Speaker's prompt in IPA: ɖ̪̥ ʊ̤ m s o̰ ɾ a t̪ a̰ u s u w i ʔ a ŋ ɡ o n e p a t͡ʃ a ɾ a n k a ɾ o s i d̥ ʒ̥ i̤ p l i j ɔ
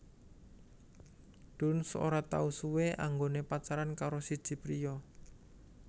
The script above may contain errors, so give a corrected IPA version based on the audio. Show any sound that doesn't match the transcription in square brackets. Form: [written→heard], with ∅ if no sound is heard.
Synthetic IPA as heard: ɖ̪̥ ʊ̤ [m→n] s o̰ ɾ a t̪ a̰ u s u w [i→e] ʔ a ŋ ɡ o n e p a t͡ʃ a ɾ a n k a ɾ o s i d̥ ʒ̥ i̤ p [l→ɾ] i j ɔ